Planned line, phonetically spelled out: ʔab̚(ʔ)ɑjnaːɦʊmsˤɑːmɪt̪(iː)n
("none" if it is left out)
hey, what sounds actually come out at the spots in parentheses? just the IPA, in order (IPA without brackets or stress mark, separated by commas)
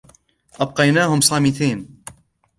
q, iː